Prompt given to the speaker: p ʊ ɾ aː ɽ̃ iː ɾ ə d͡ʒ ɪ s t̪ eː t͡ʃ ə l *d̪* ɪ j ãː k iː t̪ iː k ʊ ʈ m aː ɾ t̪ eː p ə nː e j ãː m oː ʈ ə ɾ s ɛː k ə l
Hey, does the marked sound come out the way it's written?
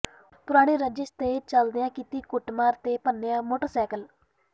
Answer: yes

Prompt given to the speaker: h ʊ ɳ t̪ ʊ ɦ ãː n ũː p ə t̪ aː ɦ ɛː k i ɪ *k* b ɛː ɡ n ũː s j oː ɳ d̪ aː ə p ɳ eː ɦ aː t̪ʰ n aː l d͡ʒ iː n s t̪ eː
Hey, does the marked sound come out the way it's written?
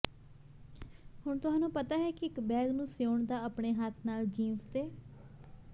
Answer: yes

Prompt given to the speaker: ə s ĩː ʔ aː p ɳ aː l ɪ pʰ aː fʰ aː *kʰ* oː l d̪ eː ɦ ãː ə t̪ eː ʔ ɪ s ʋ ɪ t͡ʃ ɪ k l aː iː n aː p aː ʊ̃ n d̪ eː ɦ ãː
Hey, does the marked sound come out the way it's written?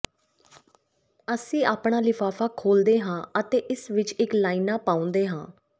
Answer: yes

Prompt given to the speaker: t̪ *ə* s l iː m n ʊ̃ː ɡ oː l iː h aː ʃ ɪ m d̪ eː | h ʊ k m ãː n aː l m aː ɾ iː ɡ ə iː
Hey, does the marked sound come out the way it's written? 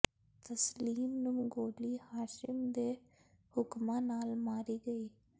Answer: yes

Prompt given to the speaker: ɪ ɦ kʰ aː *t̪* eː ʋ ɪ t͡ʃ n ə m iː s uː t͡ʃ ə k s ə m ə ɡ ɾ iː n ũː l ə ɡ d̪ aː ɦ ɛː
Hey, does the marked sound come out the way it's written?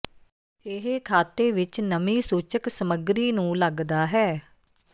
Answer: yes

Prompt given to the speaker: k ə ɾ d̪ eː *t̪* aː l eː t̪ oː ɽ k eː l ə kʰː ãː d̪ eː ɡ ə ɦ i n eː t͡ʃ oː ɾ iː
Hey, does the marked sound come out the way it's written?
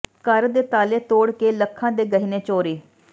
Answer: yes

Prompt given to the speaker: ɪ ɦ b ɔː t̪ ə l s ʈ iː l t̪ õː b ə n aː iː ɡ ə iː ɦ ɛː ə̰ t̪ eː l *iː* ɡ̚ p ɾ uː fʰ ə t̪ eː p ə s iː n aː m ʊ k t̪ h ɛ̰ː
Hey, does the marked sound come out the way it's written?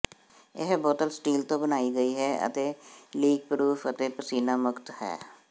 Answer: yes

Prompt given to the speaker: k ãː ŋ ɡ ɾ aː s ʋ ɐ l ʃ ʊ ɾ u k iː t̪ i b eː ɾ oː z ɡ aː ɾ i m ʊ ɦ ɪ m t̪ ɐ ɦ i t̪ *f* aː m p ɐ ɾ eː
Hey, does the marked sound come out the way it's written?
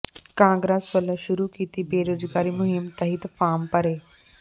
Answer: yes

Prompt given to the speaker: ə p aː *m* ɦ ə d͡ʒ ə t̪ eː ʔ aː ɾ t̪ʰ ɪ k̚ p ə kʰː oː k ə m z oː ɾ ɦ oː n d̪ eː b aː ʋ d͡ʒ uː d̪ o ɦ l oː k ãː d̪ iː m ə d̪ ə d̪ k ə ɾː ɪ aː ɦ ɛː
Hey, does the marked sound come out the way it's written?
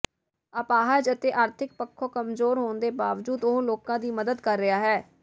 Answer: no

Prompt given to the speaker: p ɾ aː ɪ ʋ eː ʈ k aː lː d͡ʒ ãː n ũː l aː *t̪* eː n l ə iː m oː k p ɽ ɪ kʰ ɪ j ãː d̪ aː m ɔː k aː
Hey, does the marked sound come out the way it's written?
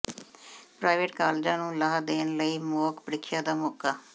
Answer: no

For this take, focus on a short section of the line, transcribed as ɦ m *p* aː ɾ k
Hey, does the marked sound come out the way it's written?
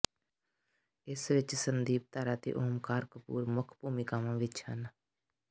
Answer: no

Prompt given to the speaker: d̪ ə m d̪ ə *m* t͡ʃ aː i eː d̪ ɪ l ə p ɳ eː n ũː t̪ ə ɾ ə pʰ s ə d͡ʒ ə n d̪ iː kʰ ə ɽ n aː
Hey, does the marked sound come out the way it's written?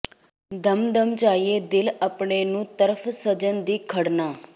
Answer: yes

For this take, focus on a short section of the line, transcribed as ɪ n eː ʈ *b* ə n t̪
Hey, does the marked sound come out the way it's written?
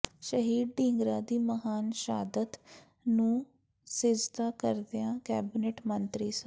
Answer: no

